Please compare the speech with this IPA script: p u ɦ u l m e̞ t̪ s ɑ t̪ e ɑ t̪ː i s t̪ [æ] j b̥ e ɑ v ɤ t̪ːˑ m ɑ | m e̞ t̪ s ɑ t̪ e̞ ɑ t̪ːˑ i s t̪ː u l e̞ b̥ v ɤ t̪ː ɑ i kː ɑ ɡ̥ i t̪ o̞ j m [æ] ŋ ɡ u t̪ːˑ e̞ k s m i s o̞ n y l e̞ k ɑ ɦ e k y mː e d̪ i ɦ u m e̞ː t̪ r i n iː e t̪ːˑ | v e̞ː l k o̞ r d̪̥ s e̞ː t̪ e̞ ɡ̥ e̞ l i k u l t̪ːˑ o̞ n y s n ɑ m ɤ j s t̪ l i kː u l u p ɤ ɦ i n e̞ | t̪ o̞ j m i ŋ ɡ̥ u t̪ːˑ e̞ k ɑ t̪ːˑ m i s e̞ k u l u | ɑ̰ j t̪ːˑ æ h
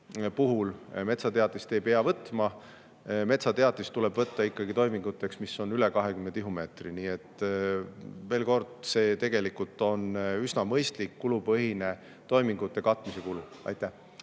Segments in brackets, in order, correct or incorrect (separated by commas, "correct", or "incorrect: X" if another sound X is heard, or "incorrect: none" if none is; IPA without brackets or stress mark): incorrect: e, incorrect: i